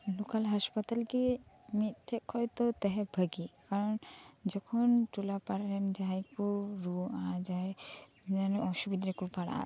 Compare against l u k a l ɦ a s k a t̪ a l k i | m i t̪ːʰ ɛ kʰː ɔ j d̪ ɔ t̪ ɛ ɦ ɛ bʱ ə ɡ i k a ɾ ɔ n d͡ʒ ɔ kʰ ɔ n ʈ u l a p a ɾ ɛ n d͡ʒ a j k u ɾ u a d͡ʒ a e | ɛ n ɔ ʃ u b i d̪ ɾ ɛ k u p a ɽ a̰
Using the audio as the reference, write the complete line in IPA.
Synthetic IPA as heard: l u k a l ɦ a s p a t̪ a l k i | m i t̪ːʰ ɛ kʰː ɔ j t̪ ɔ t̪ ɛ ɦ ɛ bʱ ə ɡ i k a ɾ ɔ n d͡ʒ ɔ kʰ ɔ n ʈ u l a p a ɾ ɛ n d͡ʒ a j k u ɾ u a d͡ʒ a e | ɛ n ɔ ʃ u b i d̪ ɾ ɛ k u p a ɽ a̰